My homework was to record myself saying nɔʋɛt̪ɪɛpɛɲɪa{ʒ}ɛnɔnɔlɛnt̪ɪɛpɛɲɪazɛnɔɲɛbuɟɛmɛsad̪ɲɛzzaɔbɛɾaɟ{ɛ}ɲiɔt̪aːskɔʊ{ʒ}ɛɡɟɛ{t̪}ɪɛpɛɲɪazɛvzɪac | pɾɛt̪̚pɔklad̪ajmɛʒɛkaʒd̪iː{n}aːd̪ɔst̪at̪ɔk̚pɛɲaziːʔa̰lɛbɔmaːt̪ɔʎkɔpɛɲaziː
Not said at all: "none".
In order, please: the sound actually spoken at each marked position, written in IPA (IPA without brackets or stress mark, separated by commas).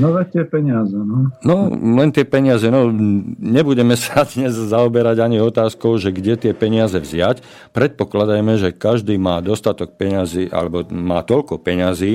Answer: z, a, ʒ, t̪, m